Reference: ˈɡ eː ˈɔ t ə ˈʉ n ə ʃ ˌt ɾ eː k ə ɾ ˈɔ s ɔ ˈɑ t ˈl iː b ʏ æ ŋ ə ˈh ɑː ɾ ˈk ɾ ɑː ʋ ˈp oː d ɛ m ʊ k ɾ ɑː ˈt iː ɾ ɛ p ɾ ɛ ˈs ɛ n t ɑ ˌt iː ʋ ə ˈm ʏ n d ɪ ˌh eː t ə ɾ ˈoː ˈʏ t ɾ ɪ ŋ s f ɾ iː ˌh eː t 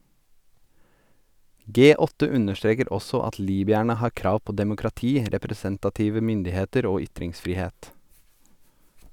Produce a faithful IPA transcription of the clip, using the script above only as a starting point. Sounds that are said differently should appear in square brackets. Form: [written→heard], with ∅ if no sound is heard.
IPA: ˈɡ eː ˈɔ t ə ˈʉ n ə ʃ ˌt ɾ eː k ə ɾ ˈɔ s ɔ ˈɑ t ˈl iː b ʏ æ [ŋ→ɳ] ə ˈh ɑː ɾ ˈk ɾ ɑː ʋ ˈp oː d ɛ m ʊ k ɾ [ɑː→ɑ] ˈt iː ɾ ɛ p ɾ ɛ ˈs ɛ n t ɑ ˌt iː ʋ ə ˈm ʏ n d ɪ ˌh eː t ə ɾ ˈoː ˈʏ t ɾ ɪ ŋ s f ɾ iː ˌh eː t